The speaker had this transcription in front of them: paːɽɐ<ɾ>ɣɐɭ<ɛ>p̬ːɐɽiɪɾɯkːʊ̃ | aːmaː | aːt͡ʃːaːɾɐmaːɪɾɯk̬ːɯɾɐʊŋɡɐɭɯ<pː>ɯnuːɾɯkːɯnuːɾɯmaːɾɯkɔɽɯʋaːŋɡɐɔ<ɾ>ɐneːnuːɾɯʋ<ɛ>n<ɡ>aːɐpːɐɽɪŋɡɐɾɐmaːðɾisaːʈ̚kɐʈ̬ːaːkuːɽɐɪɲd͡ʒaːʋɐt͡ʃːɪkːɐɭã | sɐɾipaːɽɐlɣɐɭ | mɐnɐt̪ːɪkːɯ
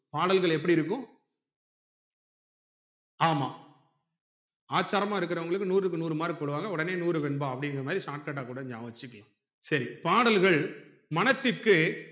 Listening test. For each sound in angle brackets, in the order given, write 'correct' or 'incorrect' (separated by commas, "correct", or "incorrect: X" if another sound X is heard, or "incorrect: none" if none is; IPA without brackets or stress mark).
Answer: incorrect: l, correct, incorrect: kː, incorrect: ɽ, correct, incorrect: b